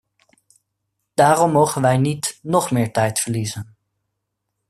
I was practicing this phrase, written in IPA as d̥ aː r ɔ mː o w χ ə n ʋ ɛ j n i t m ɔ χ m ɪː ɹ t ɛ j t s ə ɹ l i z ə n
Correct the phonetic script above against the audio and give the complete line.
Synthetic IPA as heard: d̥ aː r ɔ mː o w χ ə n ʋ ɛ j n i t n ɔ χ m ɪː ɹ t ɛ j t f ə ɹ l i z ə n